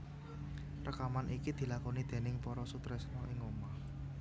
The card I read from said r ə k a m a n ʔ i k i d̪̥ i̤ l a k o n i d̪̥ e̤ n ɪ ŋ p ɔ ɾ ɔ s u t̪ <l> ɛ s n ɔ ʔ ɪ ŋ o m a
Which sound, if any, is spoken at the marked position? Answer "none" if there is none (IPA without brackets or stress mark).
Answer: ɾ